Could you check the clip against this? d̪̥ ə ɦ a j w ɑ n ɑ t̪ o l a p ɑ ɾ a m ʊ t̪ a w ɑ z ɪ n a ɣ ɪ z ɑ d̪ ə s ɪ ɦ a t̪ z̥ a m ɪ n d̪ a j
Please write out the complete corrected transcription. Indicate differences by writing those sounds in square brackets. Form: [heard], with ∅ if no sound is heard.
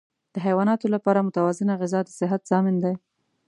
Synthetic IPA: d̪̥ ə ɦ a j w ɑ n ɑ t̪ o l a p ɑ ɾ a m ʊ t̪ a w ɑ z ɪ n a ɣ ɪ z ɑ d̪ ə s ɪ ɦ a t̪ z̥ [ɑ] m ɪ n d̪ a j